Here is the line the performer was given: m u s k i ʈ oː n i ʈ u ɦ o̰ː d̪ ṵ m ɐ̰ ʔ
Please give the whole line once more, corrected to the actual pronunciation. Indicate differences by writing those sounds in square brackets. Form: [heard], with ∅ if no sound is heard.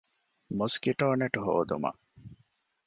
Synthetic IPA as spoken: m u s k i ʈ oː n [e] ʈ u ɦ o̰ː d̪ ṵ m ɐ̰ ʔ